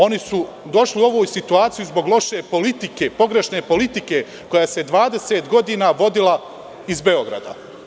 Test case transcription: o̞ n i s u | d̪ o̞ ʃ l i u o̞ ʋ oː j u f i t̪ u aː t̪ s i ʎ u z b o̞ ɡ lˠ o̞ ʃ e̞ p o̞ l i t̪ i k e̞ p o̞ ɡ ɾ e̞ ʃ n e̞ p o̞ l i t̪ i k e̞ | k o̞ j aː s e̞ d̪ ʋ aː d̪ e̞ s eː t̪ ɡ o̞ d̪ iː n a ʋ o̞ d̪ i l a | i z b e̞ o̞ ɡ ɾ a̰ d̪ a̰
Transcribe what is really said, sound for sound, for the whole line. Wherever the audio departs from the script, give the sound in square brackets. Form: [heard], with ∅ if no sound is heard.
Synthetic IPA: o̞ n i s u | d̪ o̞ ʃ l i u o̞ ʋ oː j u [s] i t̪ u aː t̪ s i [j] u z b o̞ ɡ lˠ o̞ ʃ e̞ p o̞ l i t̪ i k e̞ p o̞ ɡ ɾ e̞ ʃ n e̞ p o̞ l i t̪ i k e̞ | k o̞ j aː s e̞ d̪ ʋ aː d̪ e̞ s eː t̪ ɡ o̞ d̪ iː n a ʋ o̞ d̪ i l a | i z b e̞ o̞ ɡ ɾ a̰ d̪ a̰